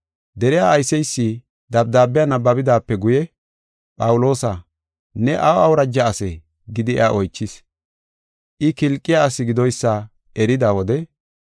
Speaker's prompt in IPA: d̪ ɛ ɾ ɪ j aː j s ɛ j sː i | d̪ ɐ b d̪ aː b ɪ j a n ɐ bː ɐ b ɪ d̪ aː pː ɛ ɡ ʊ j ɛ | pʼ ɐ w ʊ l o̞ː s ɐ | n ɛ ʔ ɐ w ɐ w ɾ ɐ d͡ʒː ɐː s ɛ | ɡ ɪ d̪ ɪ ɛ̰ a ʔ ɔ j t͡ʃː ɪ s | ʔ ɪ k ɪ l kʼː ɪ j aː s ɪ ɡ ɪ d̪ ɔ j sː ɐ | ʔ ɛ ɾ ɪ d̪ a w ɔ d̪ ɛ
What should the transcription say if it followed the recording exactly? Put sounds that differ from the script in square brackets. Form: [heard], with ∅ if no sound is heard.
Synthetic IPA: d̪ ɛ ɾ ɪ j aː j s ɛ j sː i | d̪ ɐ b d̪ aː b ɪ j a n ɐ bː ɐ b ɪ d̪ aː pː ɛ ɡ ʊ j ɛ | pʼ ɐ w ʊ l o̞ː s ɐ | n ɛ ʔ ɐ w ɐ w ɾ ɐ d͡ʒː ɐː s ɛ | ɡ ɪ d̪ ɪ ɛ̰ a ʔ ɔ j t͡ʃː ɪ s | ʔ ɪ k ɪ l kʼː ɪ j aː s ɪ ɡ ɪ d̪ ɔ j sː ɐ | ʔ ɛ ɾ ɪ d̪ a w ɔ d̪ ɛ

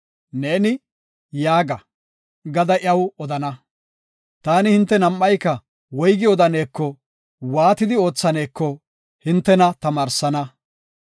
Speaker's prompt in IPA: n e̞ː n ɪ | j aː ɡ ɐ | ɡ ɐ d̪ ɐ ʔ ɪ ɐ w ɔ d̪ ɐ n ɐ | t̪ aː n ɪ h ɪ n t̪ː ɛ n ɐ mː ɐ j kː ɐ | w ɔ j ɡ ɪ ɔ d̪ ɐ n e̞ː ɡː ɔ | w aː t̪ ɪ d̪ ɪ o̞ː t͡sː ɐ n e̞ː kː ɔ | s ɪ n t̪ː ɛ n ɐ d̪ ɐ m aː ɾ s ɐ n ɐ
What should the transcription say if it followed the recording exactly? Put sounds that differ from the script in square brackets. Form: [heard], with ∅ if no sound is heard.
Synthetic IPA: n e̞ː n ɪ | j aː ɡ ɐ | ɡ ɐ d̪ ɐ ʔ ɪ ɐ w ɔ d̪ ɐ n ɐ | t̪ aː n ɪ h ɪ n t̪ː ɛ n ɐ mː ɐ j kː ɐ | w ɔ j ɡ ɪ ɔ d̪ ɐ n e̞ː [kː] ɔ | w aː t̪ ɪ d̪ ɪ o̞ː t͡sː ɐ n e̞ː kː ɔ | [h] ɪ n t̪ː ɛ n ɐ [t̪] ɐ m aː ɾ s ɐ n ɐ

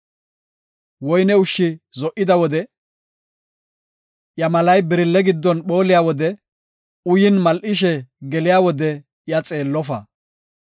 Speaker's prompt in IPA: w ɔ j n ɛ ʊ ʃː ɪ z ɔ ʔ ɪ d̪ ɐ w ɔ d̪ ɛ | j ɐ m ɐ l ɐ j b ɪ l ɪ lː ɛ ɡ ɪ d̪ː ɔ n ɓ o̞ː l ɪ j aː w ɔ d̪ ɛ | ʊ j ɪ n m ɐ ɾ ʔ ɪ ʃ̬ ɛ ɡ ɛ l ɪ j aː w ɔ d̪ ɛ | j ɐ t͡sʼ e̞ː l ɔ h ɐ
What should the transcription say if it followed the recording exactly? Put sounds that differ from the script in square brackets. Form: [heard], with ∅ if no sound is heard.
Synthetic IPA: w ɔ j n ɛ ʊ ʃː ɪ z ɔ ʔ ɪ d̪ ɐ w ɔ d̪ ɛ | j ɐ m ɐ l ɐ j b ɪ [ɾ] ɪ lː ɛ ɡ ɪ d̪ː ɔ n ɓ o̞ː l ɪ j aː w ɔ d̪ ɛ | ʊ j ɪ n m ɐ [l] ʔ ɪ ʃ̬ ɛ ɡ ɛ l ɪ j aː w ɔ d̪ ɛ | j ɐ t͡sʼ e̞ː [lː] ɔ [f] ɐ

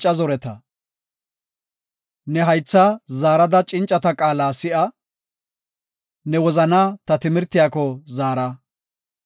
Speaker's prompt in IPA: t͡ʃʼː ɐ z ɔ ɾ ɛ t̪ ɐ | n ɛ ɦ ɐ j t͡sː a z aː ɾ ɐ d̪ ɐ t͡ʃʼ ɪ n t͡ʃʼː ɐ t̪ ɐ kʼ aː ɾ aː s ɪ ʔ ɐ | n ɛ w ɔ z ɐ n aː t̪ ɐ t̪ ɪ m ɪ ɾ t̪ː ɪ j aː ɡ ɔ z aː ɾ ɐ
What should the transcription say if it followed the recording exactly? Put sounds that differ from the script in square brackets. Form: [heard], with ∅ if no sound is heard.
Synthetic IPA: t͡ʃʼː ɐ z ɔ ɾ ɛ t̪ ɐ | n ɛ ɦ ɐ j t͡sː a z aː ɾ ɐ d̪ ɐ t͡ʃʼ ɪ n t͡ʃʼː ɐ t̪ ɐ kʼ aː [l] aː s ɪ ʔ ɐ | n ɛ w ɔ z ɐ n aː t̪ ɐ t̪ ɪ m ɪ ɾ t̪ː ɪ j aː [k] ɔ z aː ɾ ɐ

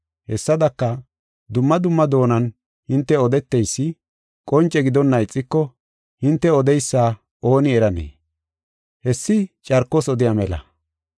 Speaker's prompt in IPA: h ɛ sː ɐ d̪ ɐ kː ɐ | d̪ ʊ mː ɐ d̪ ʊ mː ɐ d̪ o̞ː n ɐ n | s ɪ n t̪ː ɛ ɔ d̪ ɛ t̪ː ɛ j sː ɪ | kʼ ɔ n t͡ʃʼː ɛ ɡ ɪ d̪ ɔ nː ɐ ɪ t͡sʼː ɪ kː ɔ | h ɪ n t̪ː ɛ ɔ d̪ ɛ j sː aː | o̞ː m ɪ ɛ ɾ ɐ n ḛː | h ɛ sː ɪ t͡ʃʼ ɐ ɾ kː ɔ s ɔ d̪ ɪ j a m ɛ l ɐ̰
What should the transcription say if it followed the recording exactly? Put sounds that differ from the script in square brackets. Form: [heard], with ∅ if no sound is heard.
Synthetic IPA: h ɛ sː ɐ d̪ ɐ kː ɐ | d̪ ʊ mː ɐ d̪ ʊ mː ɐ d̪ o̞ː n ɐ n | [h] ɪ n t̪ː ɛ ɔ d̪ ɛ t̪ː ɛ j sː ɪ | kʼ ɔ n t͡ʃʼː ɛ ɡ ɪ d̪ ɔ nː ɐ ɪ t͡sʼː ɪ kː ɔ | h ɪ n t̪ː ɛ ɔ d̪ ɛ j sː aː | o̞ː [n] ɪ ɛ ɾ ɐ n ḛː | h ɛ sː ɪ t͡ʃʼ ɐ ɾ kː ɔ s ɔ d̪ ɪ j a m ɛ l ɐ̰

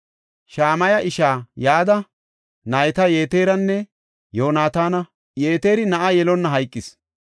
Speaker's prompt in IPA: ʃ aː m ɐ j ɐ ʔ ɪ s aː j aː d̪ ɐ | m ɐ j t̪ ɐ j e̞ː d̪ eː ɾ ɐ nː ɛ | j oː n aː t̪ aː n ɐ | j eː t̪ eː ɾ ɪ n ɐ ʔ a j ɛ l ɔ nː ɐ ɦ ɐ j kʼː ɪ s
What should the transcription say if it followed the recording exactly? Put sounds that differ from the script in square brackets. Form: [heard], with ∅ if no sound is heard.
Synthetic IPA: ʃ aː m ɐ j ɐ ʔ ɪ [ʃ] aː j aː d̪ ɐ | [n] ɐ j t̪ ɐ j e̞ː [t̪] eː ɾ ɐ nː ɛ | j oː n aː t̪ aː n ɐ | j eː t̪ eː ɾ ɪ n ɐ ʔ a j ɛ l ɔ nː ɐ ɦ ɐ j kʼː ɪ s

